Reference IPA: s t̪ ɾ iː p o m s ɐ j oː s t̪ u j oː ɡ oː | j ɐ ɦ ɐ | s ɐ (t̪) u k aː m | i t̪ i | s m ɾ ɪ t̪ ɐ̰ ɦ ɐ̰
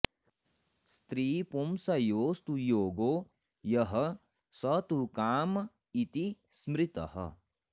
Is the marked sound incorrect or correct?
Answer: correct